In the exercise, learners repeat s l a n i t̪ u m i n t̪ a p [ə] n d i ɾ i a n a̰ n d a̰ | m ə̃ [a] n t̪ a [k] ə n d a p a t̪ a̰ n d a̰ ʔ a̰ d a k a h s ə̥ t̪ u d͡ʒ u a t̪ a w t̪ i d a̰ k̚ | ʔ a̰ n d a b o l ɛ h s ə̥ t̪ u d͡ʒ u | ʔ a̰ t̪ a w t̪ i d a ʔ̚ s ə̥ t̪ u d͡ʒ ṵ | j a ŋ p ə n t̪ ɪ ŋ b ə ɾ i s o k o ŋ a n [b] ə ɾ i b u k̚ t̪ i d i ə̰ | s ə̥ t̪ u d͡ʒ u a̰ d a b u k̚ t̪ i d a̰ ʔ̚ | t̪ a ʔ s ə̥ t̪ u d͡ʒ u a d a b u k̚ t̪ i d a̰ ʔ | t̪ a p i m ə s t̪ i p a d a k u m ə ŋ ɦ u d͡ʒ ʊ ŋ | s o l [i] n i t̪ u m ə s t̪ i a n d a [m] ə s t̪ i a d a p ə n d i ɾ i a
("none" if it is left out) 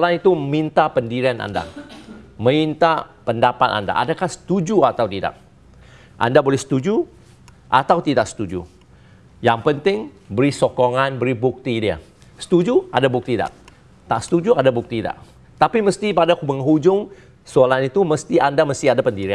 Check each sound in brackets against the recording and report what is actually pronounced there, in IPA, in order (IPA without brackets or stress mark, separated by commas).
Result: ə, i, p, b, a, m